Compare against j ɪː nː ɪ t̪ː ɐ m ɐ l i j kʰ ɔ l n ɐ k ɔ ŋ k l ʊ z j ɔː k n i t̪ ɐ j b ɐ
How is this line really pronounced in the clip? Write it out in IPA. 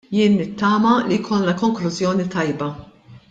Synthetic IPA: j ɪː nː ɪ t̪ː ɐː m ɐ l i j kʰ ɔ l n ɐ k ɔ ŋ k l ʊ z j ɔː n i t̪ ɐ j b ɐ